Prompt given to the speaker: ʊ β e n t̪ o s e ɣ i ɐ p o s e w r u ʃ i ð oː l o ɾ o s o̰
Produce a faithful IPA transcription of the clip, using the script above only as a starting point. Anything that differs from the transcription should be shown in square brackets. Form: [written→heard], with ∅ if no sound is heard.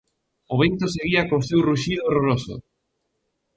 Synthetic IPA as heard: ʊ β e n t̪ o s e ɣ i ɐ [p→k] o s e w r u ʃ i ð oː [l→r] o ɾ o s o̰